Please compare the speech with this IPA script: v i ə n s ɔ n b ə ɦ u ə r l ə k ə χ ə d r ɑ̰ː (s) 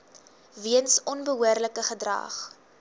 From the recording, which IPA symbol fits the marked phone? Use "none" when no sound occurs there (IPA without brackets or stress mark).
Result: χ